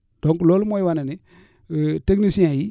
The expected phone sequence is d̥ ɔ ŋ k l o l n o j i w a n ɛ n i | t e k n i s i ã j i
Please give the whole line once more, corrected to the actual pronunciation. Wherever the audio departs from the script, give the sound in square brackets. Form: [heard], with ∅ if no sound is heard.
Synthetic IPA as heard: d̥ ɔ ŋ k l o l [m] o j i w a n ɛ n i | t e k n i s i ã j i